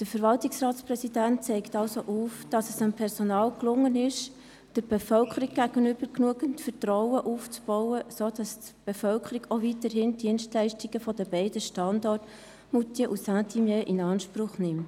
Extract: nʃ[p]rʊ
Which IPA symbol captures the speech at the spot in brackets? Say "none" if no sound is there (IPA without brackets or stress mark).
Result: p